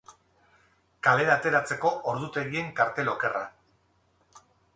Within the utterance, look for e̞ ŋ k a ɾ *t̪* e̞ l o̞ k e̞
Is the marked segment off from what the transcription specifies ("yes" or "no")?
no